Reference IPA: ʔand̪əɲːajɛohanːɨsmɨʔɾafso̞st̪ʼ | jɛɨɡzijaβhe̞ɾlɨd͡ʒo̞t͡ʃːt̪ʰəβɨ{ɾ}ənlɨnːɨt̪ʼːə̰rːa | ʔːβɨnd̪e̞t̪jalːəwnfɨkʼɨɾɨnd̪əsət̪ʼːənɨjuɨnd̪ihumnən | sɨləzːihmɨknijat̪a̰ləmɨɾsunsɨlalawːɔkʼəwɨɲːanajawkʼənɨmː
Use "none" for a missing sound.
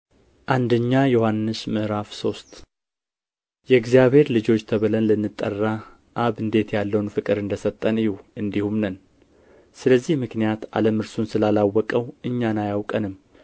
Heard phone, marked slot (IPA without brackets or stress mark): l